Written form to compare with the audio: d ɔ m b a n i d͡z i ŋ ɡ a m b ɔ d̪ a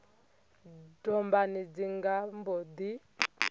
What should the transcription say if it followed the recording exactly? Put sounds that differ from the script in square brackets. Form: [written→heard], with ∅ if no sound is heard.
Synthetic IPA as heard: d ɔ m b a n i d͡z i ŋ ɡ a m b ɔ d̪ [a→i]